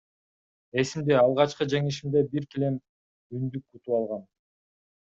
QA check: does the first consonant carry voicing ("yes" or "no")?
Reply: no